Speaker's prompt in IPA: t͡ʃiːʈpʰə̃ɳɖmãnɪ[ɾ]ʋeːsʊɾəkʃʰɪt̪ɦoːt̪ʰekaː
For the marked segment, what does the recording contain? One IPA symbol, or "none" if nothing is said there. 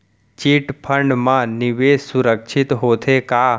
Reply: none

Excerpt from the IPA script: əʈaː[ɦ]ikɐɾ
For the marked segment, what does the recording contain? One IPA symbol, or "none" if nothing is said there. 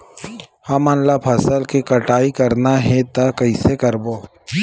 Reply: none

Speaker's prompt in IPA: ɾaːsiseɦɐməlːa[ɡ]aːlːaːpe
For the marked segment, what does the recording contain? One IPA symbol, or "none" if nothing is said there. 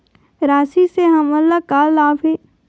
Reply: k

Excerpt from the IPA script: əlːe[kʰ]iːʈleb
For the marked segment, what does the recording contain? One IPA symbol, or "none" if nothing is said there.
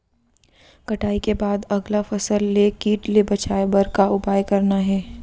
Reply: k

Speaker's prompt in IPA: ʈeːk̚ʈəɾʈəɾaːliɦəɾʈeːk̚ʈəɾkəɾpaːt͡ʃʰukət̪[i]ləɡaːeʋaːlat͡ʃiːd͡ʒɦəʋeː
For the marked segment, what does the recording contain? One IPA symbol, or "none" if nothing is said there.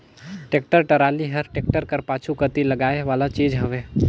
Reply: i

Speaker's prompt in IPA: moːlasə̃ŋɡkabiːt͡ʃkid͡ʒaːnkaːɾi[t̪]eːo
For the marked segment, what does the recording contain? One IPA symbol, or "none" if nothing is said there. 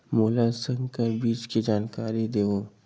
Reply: d̪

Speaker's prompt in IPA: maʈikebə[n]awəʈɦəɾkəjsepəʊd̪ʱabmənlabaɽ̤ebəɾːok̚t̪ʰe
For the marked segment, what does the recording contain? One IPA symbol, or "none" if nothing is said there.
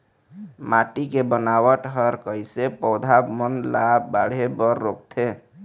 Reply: n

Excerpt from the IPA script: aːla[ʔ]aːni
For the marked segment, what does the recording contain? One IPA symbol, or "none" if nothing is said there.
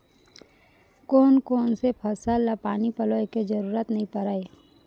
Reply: p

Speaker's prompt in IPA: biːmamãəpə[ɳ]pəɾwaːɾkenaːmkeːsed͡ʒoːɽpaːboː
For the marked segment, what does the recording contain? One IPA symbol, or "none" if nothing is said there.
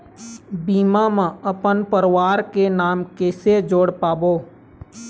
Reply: n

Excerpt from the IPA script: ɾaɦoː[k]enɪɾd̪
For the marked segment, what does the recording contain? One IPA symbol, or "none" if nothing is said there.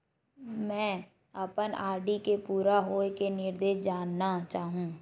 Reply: k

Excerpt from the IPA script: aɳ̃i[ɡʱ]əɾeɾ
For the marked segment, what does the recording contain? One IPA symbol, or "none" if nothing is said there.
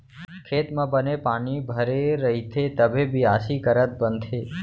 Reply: bʱ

